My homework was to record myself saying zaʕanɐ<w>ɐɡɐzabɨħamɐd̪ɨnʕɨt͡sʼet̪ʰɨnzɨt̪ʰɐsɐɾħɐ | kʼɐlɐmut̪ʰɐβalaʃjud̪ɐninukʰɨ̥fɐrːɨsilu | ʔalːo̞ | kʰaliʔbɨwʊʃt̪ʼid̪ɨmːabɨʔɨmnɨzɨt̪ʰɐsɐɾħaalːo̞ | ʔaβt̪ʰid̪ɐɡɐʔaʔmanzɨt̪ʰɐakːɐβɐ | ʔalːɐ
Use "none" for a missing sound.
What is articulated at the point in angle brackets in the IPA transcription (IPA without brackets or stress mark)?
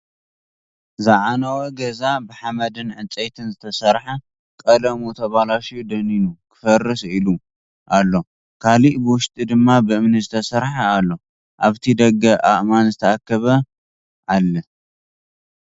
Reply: w